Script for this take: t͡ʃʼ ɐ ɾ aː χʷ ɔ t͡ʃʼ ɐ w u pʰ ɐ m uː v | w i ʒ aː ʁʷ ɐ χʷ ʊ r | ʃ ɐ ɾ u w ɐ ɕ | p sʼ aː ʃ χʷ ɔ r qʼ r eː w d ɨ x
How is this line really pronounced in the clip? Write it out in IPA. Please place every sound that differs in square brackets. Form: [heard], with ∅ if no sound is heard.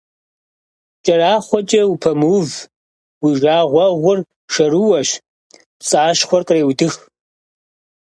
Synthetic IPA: t͡ʃʼ ɐ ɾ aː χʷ ɔ t͡ʃʼ ɐ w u pʰ ɐ m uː v | w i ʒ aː ʁʷ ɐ [ʁʷ] ʊ r | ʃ ɐ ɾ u w ɐ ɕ | p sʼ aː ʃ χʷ ɔ r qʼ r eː w d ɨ x